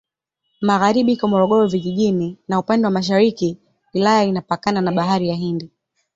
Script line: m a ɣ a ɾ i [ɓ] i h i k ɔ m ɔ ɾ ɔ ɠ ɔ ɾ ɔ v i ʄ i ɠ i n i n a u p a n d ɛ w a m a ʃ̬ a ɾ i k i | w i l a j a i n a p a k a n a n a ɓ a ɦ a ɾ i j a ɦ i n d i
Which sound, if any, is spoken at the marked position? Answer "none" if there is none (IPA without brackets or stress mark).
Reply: ɓ